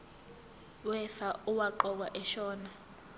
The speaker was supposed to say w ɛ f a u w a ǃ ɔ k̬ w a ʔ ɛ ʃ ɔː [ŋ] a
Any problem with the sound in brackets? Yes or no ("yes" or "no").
yes